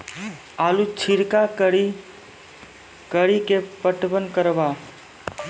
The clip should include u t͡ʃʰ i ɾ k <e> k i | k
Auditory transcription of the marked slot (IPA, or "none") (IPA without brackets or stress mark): a